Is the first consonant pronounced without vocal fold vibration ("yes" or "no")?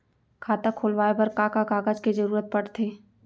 yes